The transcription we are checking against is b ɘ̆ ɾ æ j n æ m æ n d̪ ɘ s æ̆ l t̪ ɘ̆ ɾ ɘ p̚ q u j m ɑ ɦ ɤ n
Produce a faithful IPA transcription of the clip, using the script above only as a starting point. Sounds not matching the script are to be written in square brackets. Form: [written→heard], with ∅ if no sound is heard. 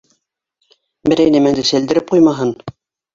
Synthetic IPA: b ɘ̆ ɾ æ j n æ m æ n d̪ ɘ s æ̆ l [t̪→d̪] ɘ̆ ɾ ɘ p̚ q u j m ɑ ɦ ɤ n